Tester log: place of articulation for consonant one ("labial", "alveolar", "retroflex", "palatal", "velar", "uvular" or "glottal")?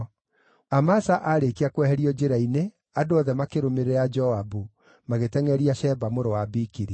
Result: labial